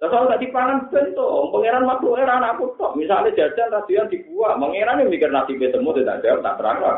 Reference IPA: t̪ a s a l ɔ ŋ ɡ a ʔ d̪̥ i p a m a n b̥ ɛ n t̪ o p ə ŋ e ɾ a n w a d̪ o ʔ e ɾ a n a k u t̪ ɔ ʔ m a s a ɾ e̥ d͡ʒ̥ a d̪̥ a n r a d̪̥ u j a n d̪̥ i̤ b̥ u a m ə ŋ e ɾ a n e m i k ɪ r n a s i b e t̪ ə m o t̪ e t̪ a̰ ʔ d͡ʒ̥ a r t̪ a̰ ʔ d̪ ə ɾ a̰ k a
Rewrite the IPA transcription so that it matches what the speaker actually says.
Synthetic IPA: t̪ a s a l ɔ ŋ ɡ a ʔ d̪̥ i p a ŋ a n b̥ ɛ n t̪ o p ə ŋ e ɾ a n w a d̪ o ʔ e ɾ a n a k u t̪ ɔ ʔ m i s a l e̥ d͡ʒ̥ a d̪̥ a n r a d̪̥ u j a n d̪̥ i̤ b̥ u a m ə ŋ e ɾ a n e m i k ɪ r n a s i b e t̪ ə m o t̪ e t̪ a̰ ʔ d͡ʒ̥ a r t̪ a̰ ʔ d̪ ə ɾ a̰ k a